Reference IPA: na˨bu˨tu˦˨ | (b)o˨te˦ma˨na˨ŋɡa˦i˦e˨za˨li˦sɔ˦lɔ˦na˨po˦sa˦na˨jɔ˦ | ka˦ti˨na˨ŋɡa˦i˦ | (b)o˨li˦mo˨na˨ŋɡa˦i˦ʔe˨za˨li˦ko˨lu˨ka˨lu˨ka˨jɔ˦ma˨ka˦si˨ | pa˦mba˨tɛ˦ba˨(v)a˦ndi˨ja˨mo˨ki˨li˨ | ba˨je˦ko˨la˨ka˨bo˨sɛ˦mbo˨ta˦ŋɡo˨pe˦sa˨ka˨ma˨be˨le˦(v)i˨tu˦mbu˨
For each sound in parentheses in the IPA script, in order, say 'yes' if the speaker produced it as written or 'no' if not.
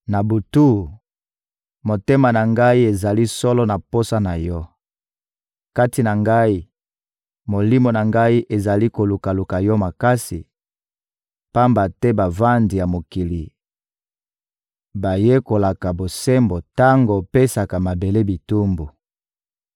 no, no, yes, no

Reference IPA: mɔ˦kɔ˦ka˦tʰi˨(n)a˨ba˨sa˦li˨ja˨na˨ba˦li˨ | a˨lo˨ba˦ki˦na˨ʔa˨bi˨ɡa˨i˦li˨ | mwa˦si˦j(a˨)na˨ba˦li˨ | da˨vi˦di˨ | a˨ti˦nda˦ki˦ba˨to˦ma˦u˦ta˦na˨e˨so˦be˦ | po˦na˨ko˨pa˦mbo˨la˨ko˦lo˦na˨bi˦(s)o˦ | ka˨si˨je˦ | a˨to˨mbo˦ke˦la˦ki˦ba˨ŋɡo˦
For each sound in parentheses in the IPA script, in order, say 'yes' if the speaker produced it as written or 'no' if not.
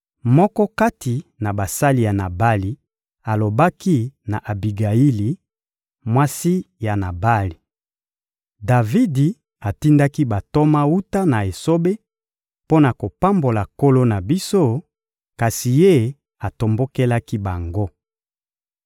yes, yes, yes

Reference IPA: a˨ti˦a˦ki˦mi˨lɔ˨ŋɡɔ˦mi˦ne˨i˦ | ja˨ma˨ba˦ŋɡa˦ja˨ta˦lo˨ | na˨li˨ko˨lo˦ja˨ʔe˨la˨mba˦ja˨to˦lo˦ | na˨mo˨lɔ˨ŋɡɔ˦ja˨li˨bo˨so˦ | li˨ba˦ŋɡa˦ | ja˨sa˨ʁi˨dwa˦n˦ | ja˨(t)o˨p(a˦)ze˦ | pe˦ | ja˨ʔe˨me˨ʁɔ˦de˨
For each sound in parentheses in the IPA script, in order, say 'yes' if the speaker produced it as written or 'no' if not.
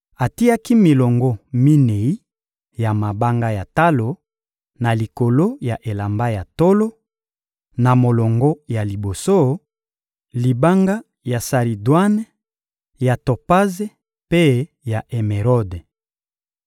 yes, yes

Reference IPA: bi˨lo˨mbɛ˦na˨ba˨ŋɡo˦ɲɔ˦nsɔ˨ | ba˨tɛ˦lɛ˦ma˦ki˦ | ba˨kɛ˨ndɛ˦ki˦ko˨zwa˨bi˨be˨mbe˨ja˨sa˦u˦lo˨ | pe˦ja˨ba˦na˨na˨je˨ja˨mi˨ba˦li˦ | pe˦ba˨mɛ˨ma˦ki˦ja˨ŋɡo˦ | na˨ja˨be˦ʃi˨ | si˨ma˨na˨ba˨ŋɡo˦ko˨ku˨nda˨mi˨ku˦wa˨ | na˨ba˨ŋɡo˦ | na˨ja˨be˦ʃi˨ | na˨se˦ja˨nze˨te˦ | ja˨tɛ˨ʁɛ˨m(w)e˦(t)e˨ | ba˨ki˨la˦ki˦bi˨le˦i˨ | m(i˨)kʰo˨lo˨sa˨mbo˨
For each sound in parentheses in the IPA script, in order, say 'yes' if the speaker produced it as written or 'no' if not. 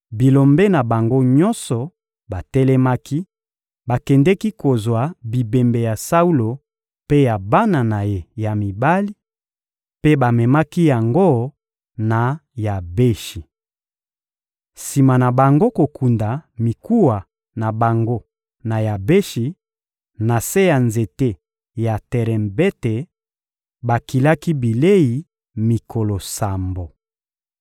no, yes, yes

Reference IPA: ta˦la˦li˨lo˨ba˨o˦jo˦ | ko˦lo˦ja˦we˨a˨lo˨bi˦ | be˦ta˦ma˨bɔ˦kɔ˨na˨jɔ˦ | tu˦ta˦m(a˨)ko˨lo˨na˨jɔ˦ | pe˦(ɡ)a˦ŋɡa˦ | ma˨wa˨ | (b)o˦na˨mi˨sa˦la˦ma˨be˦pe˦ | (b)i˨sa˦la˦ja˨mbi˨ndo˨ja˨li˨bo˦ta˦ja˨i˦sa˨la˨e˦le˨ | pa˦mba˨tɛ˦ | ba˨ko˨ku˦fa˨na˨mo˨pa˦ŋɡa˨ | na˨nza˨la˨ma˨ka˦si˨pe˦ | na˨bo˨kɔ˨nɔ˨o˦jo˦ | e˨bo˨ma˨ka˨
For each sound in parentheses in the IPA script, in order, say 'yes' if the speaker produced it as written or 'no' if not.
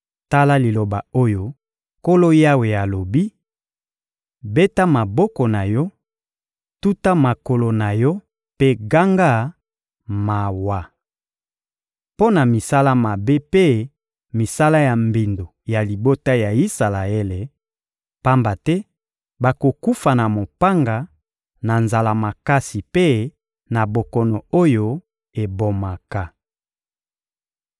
yes, yes, no, no

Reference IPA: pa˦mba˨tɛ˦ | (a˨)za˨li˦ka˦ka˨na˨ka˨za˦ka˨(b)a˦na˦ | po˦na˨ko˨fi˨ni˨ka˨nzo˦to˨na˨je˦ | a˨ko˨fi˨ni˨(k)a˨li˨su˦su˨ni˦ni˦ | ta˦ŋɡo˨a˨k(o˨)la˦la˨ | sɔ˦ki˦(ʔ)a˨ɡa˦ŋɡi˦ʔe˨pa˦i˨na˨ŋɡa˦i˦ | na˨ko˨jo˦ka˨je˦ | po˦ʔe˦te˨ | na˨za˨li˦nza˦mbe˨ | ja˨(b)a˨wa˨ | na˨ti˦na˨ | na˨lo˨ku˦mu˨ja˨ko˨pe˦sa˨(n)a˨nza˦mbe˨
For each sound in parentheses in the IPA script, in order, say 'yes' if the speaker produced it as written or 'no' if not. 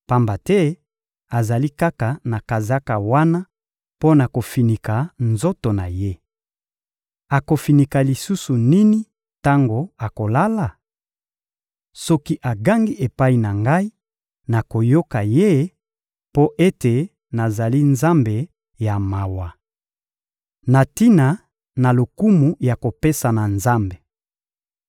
yes, no, yes, yes, yes, no, yes

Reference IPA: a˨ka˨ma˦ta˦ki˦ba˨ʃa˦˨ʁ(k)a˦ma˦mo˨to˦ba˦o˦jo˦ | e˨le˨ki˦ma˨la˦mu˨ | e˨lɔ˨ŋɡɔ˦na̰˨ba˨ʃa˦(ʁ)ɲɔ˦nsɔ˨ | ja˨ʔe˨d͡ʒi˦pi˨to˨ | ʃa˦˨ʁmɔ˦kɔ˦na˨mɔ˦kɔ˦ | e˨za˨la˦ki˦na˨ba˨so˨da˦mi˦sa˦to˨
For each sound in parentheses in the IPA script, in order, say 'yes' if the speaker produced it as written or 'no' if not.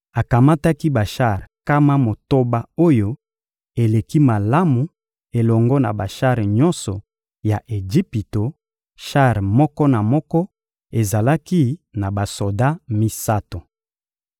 yes, yes

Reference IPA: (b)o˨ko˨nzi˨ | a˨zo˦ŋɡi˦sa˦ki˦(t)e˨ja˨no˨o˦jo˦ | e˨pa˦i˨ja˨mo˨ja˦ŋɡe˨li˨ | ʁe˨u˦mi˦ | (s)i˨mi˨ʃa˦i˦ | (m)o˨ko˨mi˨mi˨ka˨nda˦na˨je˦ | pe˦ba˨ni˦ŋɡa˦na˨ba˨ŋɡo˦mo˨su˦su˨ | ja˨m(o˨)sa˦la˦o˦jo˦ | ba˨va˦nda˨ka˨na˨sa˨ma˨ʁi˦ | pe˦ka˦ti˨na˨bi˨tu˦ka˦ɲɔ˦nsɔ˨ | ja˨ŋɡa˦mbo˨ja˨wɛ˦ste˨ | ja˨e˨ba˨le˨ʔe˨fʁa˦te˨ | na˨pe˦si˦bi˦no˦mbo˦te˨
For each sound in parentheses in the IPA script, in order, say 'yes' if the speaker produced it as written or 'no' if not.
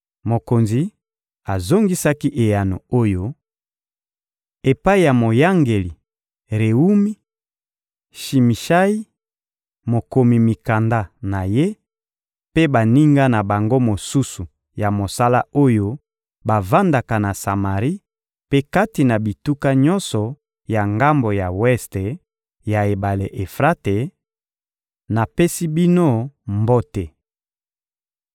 no, no, no, yes, yes

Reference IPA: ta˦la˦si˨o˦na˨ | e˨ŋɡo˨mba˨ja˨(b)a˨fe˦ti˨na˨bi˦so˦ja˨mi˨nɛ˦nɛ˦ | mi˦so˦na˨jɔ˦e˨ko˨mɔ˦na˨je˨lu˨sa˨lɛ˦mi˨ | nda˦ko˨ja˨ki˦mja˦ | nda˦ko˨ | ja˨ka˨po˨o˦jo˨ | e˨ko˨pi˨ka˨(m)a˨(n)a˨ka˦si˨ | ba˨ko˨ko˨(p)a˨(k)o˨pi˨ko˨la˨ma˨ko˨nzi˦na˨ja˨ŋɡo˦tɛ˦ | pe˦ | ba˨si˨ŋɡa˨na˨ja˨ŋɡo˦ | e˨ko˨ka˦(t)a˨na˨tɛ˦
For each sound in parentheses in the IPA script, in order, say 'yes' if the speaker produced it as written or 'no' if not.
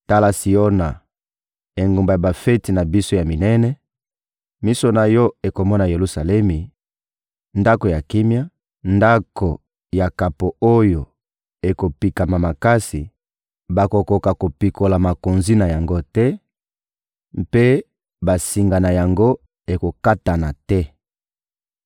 yes, yes, no, no, yes, yes

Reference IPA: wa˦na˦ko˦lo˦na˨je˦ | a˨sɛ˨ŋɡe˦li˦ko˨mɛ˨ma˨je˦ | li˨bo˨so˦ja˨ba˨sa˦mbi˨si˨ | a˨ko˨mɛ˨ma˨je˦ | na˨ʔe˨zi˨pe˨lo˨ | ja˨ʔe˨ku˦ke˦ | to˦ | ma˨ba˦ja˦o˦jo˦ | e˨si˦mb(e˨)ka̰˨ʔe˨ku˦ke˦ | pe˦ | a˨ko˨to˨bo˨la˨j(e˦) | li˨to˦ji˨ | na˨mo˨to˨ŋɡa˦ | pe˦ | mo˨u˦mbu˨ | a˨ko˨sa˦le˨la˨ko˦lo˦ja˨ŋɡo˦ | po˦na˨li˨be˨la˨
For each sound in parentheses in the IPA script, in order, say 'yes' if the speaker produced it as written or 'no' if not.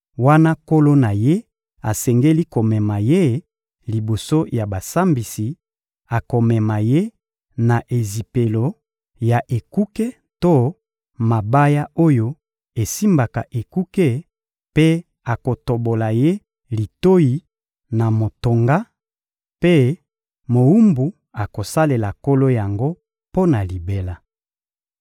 no, yes

